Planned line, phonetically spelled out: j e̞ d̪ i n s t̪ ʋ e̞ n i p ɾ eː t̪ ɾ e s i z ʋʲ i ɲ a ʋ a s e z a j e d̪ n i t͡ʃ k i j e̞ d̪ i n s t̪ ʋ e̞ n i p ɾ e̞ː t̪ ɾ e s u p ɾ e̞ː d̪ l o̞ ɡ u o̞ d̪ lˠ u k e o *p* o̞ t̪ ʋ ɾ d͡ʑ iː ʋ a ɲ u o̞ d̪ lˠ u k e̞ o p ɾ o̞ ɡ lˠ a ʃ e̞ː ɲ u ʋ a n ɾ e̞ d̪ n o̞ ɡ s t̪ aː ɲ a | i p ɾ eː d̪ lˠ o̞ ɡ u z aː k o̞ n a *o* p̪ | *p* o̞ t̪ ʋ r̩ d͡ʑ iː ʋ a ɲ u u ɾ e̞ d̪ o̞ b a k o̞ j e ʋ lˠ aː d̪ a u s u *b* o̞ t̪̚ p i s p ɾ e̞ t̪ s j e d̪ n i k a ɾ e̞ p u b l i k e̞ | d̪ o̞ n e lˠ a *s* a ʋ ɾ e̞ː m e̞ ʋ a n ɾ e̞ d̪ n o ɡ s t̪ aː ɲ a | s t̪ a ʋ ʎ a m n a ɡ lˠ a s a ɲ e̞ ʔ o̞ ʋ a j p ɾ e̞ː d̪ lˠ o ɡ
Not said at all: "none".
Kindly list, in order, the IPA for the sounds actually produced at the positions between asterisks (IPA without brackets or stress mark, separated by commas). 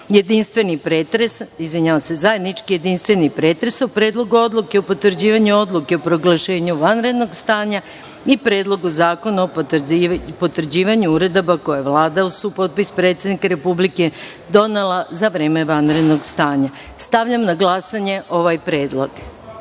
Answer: p, o, p, p, z